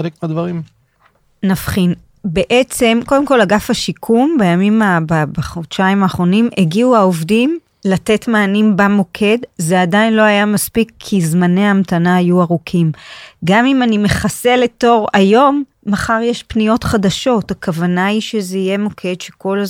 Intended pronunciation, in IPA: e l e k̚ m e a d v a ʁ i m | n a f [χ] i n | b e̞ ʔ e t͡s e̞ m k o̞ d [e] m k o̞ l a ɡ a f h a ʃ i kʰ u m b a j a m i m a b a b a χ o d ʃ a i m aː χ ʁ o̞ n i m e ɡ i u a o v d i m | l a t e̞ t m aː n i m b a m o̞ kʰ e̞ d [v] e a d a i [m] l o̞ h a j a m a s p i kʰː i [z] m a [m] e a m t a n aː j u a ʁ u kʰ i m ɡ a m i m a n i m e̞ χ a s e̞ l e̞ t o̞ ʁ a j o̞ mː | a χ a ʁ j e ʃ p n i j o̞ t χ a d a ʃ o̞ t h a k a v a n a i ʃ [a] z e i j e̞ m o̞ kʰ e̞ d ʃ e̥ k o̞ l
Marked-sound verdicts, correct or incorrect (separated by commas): correct, correct, incorrect, incorrect, correct, incorrect, incorrect